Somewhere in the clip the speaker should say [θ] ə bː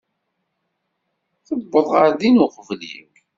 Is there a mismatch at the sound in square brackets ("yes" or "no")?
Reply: no